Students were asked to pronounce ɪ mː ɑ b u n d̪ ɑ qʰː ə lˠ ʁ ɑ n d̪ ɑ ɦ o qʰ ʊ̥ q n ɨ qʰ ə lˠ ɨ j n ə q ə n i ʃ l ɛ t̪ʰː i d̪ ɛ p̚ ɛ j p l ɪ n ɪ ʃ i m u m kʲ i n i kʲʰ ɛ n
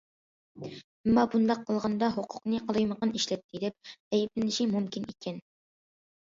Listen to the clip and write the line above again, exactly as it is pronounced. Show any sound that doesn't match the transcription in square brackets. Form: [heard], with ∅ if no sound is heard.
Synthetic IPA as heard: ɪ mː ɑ b u n d̪ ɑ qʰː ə lˠ ʁ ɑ n d̪ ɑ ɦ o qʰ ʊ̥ q n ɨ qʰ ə lˠ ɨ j [m] ə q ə n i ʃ l ɛ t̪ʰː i d̪ ɛ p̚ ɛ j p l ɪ n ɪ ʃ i m u m kʲ i n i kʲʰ ɛ n